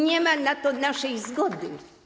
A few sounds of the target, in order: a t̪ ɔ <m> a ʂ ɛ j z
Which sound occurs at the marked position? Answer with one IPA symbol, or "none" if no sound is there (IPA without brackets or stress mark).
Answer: n